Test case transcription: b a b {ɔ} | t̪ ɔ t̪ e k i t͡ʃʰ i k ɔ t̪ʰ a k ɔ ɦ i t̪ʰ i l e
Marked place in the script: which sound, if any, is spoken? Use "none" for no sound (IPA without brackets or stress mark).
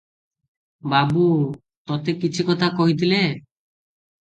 u